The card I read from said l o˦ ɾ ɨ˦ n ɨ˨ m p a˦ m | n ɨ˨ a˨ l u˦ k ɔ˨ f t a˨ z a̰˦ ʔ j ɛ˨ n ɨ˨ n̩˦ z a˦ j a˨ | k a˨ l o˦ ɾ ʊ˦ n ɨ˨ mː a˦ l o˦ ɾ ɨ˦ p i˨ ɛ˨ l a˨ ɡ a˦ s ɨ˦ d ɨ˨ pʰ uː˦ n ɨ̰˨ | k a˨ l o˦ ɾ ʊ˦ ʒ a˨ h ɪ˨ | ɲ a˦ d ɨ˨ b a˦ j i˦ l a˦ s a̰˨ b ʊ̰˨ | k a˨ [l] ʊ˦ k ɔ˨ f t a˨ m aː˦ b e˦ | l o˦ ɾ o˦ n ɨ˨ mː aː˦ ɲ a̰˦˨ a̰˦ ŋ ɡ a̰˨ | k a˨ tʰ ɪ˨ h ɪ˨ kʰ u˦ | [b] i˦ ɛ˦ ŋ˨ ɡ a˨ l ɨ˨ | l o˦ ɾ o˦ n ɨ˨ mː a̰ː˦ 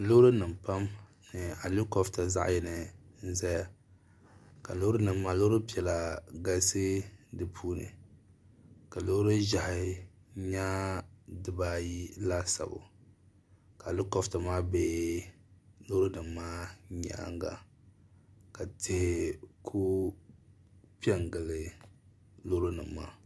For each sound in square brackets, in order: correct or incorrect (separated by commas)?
correct, incorrect